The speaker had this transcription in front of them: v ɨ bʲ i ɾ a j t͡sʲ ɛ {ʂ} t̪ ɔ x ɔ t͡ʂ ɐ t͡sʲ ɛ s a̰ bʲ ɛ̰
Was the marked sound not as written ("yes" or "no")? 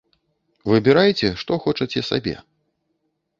no